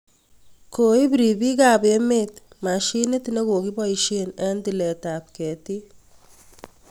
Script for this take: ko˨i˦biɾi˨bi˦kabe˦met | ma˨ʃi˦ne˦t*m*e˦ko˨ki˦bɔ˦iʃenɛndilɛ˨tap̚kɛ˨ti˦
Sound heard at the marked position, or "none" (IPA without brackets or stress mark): n